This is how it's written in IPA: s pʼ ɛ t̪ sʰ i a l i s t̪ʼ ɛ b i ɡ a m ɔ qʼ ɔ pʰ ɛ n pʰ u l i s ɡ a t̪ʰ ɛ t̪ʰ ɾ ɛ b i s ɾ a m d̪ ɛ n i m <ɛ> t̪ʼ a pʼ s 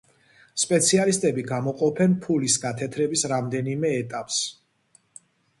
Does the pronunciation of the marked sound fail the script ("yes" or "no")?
yes